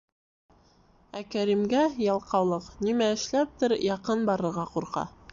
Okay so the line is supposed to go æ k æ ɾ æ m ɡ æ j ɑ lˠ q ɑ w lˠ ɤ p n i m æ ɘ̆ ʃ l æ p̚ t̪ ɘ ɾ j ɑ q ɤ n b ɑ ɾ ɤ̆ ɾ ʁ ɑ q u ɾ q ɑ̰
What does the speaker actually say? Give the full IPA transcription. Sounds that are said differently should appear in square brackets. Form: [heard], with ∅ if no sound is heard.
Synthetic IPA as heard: æ k æ ɾ [i] m ɡ æ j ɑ lˠ q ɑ w lˠ ɤ [q] n i m æ ɘ̆ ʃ l æ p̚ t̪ ɘ ɾ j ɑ q ɤ n b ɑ ɾ ɤ̆ ɾ ʁ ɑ q u ɾ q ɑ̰